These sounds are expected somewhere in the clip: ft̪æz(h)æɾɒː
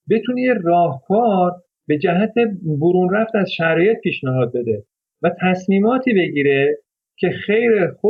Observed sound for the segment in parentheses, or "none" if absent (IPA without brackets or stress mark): ʃ